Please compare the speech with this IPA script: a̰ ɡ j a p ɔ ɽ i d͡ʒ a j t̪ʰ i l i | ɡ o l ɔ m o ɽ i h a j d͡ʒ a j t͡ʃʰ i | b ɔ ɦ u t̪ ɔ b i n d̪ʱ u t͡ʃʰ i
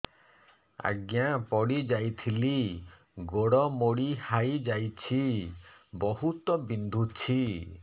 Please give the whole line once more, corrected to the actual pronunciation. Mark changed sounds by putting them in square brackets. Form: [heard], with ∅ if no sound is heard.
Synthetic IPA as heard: a̰ ɡ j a p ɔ ɽ i d͡ʒ a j t̪ʰ i l i | ɡ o [ɽ] ɔ m o ɽ i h a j d͡ʒ a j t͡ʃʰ i | b ɔ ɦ u t̪ ɔ b i n d̪ʱ u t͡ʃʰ i

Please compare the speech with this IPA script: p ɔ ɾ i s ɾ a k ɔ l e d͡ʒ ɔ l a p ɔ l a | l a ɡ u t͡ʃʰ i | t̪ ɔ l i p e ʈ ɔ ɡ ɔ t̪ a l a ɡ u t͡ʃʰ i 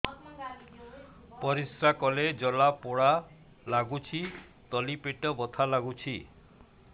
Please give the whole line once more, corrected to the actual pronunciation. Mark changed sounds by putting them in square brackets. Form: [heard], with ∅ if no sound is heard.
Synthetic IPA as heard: p ɔ ɾ i s ɾ a k ɔ l e d͡ʒ ɔ l a p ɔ [ɽ] a | l a ɡ u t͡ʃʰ i | t̪ ɔ l i p e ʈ ɔ [b] ɔ [t̪ʰ] a l a ɡ u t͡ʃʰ i

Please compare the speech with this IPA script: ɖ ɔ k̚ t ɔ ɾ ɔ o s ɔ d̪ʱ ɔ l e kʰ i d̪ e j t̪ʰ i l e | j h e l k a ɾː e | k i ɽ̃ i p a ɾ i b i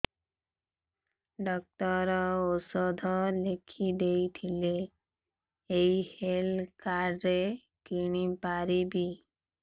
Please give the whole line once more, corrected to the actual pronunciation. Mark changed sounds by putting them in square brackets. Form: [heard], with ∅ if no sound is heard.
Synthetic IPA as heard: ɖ ɔ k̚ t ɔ ɾ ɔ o s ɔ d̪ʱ ɔ l e kʰ i d̪ e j t̪ʰ i l e | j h e l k a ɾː e | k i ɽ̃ i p a ɾ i b i

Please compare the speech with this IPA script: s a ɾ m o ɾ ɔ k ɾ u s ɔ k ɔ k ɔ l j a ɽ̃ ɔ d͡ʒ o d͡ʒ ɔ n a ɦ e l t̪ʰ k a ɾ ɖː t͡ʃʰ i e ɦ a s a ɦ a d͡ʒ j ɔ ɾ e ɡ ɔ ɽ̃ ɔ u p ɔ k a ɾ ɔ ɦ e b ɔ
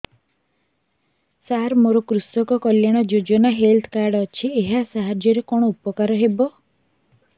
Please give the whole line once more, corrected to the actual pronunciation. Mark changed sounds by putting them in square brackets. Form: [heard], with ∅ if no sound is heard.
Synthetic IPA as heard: s a ɾ m o ɾ ɔ k ɾ u s ɔ k ɔ k ɔ l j a ɽ̃ ɔ d͡ʒ o d͡ʒ ɔ n a ɦ e l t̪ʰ k a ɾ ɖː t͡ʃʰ i e ɦ a s a ɦ a d͡ʒ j ɔ ɾ e [k] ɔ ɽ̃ ɔ u p ɔ k a ɾ ɔ ɦ e b ɔ

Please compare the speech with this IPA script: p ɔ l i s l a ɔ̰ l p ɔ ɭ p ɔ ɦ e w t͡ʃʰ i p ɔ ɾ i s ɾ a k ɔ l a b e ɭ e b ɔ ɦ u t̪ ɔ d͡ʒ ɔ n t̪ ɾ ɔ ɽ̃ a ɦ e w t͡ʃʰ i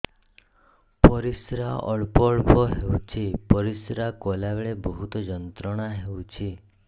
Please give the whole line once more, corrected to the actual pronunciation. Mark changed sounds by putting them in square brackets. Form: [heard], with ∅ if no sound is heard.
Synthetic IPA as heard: p ɔ [ɾ] i s [ɾ] a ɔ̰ [ɭ] p ɔ ɭ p ɔ ɦ e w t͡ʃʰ i p ɔ ɾ i s ɾ a k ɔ l a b e ɭ e b ɔ ɦ u t̪ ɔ d͡ʒ ɔ n t̪ ɾ ɔ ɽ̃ a ɦ e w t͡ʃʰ i

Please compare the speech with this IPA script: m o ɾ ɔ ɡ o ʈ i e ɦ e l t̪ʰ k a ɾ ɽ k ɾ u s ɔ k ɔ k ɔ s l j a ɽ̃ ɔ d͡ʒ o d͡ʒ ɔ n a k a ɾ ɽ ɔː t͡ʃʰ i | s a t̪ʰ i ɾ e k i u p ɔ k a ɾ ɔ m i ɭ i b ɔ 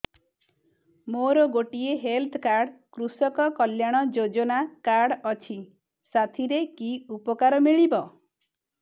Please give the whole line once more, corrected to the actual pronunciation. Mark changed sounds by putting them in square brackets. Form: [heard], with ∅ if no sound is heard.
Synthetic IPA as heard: m o ɾ ɔ ɡ o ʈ i e ɦ e l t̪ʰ k a ɾ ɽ k ɾ u s ɔ k ɔ k ɔ [∅] l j a ɽ̃ ɔ d͡ʒ o d͡ʒ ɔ n a k a ɾ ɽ [ɔ] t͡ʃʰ i | s a t̪ʰ i ɾ e k i u p ɔ k a ɾ ɔ m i ɭ i b ɔ

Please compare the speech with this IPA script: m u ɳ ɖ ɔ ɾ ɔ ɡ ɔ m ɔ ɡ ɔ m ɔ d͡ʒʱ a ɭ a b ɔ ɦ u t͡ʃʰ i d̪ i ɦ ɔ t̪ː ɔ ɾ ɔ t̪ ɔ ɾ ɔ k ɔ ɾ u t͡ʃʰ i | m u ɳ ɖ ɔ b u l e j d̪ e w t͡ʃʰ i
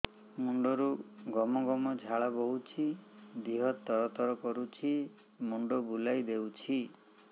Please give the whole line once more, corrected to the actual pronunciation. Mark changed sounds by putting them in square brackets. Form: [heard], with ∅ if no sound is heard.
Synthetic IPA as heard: m u ɳ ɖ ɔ ɾ [u] ɡ ɔ m ɔ ɡ ɔ m ɔ d͡ʒʱ a ɭ a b ɔ ɦ u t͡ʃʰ i d̪ i ɦ ɔ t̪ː ɔ ɾ ɔ t̪ ɔ ɾ ɔ k ɔ ɾ u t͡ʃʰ i | m u ɳ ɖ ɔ b u l [a] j d̪ e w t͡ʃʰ i

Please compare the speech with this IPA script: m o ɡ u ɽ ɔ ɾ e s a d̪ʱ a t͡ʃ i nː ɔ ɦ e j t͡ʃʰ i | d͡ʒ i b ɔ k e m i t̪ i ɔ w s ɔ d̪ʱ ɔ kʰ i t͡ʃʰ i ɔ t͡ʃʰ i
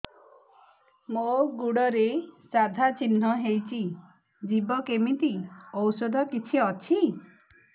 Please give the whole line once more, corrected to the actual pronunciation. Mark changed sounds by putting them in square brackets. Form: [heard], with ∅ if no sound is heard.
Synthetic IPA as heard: m o ɡ u ɽ ɔ ɾ e s a d̪ʱ a t͡ʃ i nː ɔ ɦ e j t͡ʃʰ i | d͡ʒ i b ɔ k e m i t̪ i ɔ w s ɔ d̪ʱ ɔ [k] i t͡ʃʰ i ɔ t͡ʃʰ i

